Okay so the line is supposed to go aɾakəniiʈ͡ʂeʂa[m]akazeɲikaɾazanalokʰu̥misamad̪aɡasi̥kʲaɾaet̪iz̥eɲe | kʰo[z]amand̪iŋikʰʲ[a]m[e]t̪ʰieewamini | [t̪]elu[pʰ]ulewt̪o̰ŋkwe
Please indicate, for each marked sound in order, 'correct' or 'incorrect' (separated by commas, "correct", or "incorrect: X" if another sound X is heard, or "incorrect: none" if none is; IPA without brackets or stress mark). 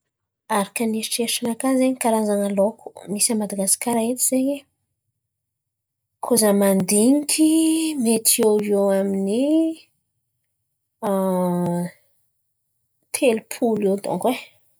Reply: incorrect: n, correct, incorrect: i, correct, incorrect: t̪ʰ, correct